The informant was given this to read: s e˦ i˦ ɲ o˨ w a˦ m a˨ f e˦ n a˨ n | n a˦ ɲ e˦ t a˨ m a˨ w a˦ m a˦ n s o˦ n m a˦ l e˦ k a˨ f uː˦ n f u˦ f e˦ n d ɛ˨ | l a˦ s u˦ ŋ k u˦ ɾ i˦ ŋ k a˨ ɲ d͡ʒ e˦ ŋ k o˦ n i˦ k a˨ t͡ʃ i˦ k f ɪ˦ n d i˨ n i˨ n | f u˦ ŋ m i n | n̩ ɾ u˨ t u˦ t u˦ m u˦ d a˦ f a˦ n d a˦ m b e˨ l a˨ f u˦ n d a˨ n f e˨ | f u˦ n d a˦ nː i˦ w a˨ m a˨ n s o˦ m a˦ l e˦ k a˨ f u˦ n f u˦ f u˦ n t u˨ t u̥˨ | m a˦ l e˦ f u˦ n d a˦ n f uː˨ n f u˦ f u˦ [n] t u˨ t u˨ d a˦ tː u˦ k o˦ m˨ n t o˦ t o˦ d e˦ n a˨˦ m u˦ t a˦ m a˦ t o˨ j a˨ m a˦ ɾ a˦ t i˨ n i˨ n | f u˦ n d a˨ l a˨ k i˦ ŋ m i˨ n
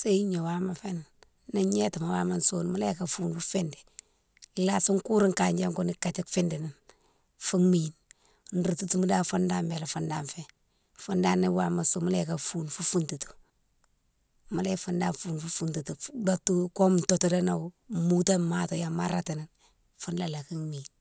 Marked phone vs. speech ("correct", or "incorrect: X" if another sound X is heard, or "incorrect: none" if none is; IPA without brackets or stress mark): correct